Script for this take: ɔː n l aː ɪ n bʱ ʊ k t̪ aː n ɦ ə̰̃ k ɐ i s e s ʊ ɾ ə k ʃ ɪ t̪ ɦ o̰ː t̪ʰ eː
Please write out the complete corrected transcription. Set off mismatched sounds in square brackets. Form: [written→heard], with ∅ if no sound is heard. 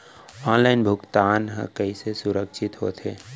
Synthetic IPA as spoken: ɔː n l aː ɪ n bʱ ʊ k t̪ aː n ɦ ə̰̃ k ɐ i s e s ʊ ɾ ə k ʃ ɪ t̪ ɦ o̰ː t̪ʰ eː